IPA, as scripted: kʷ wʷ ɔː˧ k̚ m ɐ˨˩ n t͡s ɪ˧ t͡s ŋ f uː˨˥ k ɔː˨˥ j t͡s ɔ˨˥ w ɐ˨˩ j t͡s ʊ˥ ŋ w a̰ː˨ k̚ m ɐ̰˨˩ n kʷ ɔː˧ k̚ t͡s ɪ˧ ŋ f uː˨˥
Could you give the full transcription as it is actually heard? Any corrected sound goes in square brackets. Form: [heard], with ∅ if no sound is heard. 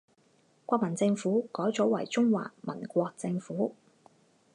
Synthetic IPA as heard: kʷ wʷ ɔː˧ k̚ m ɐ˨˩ n t͡s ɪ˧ [∅] ŋ f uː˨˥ k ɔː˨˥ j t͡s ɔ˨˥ w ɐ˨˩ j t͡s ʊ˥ ŋ w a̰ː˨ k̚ m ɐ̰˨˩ n kʷ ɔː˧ k̚ t͡s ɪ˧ ŋ f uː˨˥